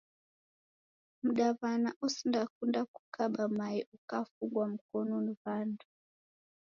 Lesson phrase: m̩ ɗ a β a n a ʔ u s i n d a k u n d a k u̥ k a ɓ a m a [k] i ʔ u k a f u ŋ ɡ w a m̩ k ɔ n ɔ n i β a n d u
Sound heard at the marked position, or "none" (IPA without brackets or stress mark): none